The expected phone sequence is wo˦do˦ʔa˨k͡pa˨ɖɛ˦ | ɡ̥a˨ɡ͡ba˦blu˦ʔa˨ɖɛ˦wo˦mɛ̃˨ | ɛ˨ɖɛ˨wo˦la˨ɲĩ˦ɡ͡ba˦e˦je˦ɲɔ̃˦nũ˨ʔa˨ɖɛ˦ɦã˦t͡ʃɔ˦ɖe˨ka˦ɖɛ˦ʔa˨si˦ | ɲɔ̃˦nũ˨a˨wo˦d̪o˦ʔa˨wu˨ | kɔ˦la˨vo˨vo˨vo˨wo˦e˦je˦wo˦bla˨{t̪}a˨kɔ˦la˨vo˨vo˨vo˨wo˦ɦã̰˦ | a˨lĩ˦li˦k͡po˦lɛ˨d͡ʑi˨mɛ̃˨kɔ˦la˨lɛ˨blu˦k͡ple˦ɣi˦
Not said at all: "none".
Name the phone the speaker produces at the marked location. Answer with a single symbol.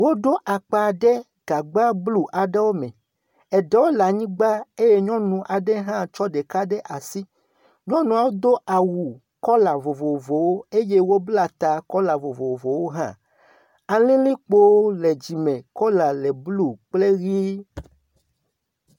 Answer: t̪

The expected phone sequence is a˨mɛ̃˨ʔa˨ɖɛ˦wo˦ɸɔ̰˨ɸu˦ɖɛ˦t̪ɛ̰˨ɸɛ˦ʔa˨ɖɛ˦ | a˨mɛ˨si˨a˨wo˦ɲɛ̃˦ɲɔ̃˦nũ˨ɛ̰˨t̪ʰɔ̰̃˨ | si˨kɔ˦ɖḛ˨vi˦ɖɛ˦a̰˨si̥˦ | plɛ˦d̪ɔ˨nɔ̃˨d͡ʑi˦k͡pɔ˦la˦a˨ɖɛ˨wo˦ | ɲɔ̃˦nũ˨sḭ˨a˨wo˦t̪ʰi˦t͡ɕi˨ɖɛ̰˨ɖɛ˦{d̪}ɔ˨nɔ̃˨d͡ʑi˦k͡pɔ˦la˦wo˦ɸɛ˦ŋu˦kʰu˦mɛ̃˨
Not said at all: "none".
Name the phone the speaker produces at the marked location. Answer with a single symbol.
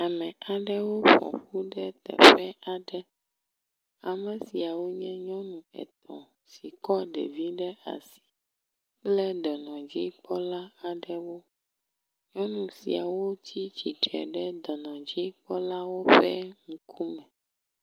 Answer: d̪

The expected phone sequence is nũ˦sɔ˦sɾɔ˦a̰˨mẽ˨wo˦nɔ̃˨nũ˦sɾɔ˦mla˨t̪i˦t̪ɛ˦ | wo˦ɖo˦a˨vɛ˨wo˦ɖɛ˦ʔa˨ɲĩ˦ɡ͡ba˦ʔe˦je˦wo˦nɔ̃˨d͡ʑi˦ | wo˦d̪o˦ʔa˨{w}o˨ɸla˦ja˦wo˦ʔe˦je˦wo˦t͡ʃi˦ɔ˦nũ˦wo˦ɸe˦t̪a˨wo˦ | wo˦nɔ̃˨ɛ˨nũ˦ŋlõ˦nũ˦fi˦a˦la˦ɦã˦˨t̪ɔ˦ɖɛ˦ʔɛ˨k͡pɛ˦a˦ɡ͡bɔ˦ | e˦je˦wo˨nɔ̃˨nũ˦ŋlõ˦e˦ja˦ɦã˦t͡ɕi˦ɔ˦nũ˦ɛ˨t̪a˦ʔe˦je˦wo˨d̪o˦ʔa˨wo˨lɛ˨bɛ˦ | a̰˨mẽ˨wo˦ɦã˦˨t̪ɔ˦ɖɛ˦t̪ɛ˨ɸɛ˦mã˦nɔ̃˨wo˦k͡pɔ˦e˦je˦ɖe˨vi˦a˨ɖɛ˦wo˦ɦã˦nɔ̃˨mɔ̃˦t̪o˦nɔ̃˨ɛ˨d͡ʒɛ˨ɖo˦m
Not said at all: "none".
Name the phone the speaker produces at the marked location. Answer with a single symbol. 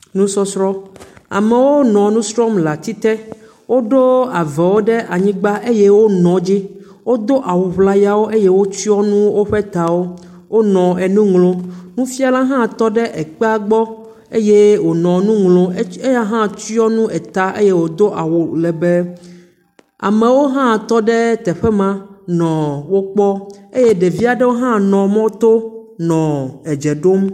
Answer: w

